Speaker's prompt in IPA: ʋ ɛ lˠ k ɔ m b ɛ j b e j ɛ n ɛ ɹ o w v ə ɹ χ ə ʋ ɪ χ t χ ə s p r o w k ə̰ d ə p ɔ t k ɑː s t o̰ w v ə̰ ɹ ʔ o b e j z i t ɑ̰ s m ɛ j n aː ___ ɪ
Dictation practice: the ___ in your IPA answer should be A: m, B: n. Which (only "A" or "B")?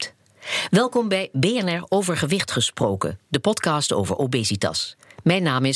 A